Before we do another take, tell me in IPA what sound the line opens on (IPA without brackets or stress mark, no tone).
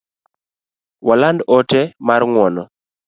w